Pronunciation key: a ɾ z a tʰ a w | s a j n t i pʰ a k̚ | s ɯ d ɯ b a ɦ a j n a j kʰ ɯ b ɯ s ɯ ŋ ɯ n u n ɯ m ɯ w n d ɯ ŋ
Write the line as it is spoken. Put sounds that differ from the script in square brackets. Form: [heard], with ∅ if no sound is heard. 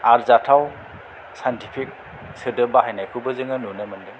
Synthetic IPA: a ɾ z a tʰ a w | s a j n t i pʰ [i] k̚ | s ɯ d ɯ b a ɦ a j n a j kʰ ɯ b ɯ [z] ɯ ŋ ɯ n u n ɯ m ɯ [∅] n d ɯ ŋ